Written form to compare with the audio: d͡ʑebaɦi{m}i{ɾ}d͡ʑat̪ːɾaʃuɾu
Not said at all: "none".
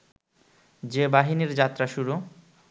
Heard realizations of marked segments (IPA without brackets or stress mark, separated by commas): n, ɾ